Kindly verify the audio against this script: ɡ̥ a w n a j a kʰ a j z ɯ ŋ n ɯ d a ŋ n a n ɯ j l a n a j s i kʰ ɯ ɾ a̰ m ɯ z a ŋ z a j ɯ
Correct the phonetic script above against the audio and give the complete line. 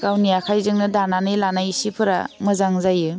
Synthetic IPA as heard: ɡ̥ a w n i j a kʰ a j z ɯ ŋ n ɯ d a n a n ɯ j l a n a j s i pʰ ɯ ɾ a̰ m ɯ z a ŋ z a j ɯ